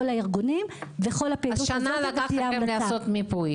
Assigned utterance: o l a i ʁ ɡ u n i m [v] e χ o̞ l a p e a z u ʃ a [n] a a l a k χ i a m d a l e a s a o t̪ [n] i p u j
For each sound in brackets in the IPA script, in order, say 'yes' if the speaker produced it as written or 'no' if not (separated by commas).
yes, yes, no